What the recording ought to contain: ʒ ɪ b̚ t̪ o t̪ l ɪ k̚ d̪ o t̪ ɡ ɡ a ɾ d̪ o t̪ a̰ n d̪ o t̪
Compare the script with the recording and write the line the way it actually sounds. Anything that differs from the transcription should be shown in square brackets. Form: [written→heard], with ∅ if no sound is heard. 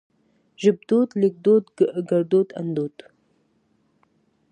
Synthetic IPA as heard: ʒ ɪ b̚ [t̪→d̪] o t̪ l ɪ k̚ d̪ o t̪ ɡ ɡ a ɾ d̪ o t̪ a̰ n d̪ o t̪